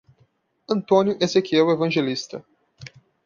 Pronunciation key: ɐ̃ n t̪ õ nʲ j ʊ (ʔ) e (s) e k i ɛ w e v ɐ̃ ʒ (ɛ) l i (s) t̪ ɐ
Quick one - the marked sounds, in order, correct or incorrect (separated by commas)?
correct, incorrect, incorrect, correct